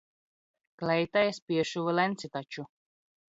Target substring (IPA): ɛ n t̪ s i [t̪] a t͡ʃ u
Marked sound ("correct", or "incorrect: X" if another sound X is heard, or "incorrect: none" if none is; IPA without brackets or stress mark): correct